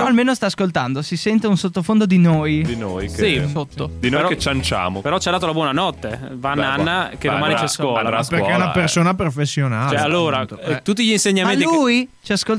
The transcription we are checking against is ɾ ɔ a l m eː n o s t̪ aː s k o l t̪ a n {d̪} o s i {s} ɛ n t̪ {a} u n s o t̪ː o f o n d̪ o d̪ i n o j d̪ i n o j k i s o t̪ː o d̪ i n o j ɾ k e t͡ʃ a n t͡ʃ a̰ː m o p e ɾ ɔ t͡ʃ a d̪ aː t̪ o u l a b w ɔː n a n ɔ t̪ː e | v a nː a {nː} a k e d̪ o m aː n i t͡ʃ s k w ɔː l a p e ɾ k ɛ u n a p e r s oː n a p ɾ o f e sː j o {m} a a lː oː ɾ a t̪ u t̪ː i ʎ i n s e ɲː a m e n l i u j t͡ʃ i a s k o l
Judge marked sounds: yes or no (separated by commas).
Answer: yes, yes, no, yes, no